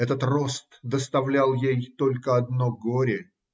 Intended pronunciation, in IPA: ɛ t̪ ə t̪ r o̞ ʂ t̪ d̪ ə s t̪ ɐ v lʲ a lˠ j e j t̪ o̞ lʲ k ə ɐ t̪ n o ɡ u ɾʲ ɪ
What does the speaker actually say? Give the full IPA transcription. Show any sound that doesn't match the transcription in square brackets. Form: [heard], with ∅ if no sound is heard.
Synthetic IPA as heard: ɛ t̪ ə t̪ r o̞ [s] t̪ d̪ ə s t̪ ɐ v lʲ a lˠ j e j t̪ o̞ lʲ k ə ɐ [d̪] n o ɡ [o] ɾʲ ɪ